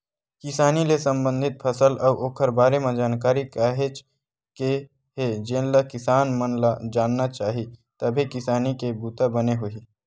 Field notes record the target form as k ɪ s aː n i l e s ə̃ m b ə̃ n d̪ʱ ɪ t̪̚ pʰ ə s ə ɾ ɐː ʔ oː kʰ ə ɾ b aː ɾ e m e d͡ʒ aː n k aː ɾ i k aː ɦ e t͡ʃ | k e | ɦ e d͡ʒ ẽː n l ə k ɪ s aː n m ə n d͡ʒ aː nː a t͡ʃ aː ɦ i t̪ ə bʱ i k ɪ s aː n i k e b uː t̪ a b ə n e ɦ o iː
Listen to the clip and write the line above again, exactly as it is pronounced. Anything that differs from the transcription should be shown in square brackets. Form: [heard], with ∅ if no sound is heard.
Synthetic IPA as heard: k ɪ s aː n i l e s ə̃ m b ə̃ n d̪ʱ ɪ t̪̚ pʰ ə s ə [l] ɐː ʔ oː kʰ ə ɾ b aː ɾ e m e d͡ʒ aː n k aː ɾ i k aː ɦ e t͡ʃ | k e | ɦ e d͡ʒ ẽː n l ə k ɪ s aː n m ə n d͡ʒ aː nː a t͡ʃ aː ɦ i t̪ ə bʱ i k ɪ s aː n i k e b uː t̪ a b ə n e ɦ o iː